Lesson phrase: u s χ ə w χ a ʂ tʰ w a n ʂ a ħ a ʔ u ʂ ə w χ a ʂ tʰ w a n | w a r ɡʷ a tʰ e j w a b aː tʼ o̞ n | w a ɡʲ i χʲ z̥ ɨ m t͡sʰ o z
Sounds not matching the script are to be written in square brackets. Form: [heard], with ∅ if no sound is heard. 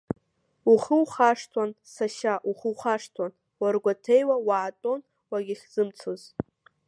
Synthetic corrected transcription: u [∅] χ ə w χ a ʂ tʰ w a n [s] a [ʃ] a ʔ u [χ] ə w χ a ʂ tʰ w a n | w a r ɡʷ a tʰ e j w a [w] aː tʼ o̞ n | w a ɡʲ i χʲ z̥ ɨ m t͡sʰ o z

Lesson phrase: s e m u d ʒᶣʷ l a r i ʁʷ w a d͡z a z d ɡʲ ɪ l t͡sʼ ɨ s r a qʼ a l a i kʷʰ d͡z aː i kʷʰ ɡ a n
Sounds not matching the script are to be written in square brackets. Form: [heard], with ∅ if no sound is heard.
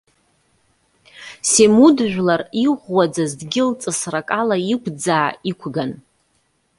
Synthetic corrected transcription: s e m u d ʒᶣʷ l a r i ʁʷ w a d͡z a z d ɡʲ ɪ l t͡sʼ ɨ s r a [kʼ] a l a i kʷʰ d͡z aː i kʷʰ ɡ a n

